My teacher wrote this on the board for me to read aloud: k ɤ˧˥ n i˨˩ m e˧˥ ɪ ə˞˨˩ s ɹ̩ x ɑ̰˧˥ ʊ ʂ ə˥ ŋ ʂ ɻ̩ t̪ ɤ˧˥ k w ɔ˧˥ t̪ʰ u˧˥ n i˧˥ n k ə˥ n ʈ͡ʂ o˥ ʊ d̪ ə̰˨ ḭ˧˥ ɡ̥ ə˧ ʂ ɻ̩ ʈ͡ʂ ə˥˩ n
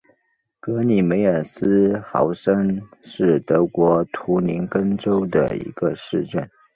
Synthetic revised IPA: k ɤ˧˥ n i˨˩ m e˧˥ ɪ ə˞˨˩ s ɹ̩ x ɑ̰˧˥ ʊ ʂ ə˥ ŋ ʂ ɻ̩ t̪ ɤ˧˥ k w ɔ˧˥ t̪ʰ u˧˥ n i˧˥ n k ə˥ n ʈ͡ʂ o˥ ʊ d̪ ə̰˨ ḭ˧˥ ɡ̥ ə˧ ʂ ɻ̩ ʈ͡ʂ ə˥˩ n